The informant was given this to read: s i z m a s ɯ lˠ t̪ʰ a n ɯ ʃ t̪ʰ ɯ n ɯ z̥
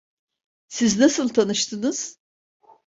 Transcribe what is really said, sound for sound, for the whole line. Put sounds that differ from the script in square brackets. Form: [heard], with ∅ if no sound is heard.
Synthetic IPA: s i z [n] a s ɯ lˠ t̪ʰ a n ɯ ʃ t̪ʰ ɯ n ɯ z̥